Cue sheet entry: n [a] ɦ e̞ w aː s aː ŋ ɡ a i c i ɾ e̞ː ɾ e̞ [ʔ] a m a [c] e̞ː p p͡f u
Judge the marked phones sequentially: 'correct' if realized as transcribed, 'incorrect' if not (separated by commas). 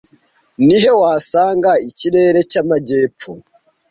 incorrect, incorrect, incorrect